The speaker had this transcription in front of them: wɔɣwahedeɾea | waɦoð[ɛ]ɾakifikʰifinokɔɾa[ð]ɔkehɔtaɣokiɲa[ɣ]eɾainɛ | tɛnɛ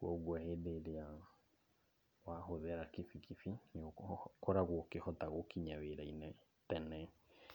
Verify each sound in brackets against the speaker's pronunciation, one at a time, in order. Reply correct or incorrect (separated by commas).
correct, incorrect, incorrect